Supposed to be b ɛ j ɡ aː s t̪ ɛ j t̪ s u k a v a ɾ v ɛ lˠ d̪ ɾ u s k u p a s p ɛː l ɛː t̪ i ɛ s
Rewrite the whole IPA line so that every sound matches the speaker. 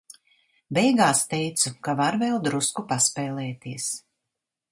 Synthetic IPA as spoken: b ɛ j ɡ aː s t̪ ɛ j t̪ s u k a v a ɾ v ɛ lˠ d̪ ɾ u s k u p a s p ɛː l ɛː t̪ i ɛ s